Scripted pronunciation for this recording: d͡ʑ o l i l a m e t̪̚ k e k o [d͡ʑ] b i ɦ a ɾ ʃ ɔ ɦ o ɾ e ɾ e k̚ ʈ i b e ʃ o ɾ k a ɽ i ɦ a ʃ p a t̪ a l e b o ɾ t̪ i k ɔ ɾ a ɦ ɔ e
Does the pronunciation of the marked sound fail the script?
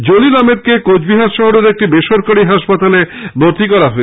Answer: no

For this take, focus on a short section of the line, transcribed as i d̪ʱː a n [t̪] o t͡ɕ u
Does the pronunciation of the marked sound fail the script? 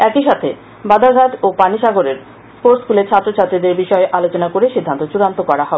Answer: no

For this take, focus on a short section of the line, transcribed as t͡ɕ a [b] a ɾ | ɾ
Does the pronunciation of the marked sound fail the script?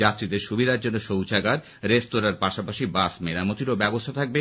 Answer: yes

